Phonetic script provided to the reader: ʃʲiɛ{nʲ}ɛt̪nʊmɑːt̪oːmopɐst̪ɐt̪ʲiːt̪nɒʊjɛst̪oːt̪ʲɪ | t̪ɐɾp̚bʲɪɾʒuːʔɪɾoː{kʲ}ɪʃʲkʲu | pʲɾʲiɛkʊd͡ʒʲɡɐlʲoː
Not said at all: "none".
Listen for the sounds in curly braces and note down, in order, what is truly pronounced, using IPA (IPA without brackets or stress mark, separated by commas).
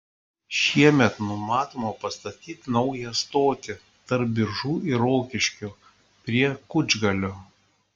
mʲ, kʲ